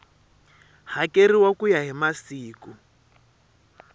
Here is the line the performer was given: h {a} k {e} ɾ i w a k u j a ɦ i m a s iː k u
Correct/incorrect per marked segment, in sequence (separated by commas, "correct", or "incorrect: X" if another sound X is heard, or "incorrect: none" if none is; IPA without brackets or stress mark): correct, correct